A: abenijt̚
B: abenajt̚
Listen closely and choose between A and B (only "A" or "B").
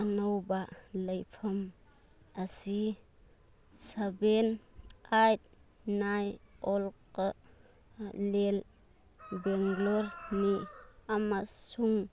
B